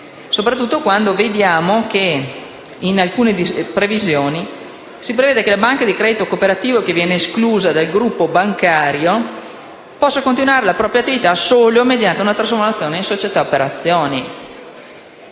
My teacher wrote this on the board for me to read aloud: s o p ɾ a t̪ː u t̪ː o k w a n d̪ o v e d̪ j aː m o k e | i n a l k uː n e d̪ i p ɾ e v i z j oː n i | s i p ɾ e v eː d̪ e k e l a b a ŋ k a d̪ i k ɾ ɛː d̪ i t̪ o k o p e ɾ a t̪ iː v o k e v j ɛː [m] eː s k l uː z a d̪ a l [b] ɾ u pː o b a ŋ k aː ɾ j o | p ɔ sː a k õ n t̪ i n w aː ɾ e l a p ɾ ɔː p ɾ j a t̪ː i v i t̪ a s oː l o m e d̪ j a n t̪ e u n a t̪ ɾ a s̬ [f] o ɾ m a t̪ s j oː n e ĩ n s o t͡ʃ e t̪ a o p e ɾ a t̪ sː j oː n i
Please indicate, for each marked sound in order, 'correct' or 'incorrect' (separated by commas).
incorrect, incorrect, correct